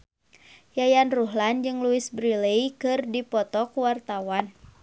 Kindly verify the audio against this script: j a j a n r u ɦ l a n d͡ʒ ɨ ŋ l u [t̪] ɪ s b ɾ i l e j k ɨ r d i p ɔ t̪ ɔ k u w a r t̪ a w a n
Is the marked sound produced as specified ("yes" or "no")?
no